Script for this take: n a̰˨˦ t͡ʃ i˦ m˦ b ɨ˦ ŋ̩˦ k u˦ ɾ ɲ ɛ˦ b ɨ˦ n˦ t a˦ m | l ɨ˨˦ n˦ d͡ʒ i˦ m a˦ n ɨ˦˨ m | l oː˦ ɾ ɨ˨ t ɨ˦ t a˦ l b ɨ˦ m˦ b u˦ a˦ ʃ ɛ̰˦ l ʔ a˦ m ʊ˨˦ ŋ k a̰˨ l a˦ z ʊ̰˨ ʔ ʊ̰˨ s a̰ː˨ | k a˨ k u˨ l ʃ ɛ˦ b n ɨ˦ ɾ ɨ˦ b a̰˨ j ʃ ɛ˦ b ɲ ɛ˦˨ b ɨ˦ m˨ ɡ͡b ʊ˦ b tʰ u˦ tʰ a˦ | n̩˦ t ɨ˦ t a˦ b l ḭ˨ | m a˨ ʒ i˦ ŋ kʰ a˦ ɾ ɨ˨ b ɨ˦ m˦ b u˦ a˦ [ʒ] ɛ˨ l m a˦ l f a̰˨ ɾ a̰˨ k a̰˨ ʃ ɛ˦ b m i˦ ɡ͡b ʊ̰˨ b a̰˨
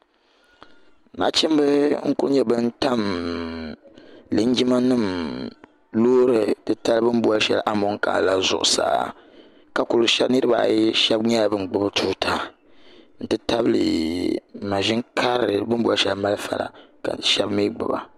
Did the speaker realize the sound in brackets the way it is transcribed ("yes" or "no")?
no